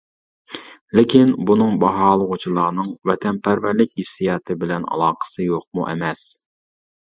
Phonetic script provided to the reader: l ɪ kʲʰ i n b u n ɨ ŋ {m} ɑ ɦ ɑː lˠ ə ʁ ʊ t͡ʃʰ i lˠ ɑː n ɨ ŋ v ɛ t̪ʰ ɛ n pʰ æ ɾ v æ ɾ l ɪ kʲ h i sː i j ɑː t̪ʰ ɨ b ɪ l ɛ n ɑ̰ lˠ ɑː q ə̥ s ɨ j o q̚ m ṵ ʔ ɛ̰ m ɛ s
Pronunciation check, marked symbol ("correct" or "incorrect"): incorrect